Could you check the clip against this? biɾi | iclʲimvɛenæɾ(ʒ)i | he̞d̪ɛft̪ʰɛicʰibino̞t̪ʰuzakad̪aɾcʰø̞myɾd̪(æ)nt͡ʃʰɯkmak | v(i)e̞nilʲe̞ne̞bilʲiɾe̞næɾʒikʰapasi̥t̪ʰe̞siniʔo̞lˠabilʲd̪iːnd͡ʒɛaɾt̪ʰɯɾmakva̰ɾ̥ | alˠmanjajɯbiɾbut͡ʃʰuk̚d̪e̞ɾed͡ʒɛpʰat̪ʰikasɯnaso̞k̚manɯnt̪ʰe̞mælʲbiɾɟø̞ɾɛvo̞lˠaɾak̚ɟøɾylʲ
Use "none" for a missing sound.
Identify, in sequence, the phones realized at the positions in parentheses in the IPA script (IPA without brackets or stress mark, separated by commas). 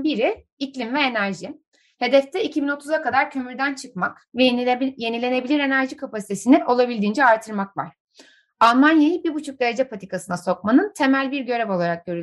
ʒ, æ, j